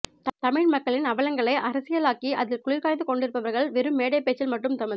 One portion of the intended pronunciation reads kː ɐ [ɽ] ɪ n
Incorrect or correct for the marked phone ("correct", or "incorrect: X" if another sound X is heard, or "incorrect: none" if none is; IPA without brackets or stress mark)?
incorrect: ɭ